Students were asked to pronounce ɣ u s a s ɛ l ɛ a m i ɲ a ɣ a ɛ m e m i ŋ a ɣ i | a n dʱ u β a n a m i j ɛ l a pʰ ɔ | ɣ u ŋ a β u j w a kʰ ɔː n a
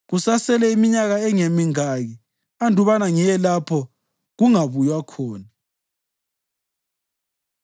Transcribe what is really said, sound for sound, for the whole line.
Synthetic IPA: ɣ u s a s ɛ l ɛ i m i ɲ a ɣ a ɛ ŋ e m i ŋ a ɣ i | a n dʱ u β a n a ŋ i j ɛ l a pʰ ɔ | ɣ u ŋ a β u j w a kʰ ɔː n a